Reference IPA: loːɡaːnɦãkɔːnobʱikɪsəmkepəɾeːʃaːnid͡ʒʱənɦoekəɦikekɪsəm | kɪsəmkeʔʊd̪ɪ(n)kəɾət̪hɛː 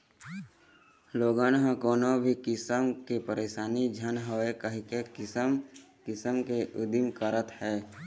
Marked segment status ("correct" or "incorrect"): incorrect